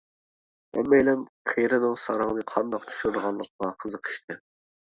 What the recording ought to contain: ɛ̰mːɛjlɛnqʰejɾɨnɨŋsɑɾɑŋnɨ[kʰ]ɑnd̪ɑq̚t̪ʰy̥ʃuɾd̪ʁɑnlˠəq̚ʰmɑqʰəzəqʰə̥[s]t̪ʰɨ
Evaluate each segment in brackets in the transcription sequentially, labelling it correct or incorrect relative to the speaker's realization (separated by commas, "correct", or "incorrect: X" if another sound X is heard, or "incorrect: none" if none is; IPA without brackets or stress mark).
incorrect: qʰ, incorrect: ʃ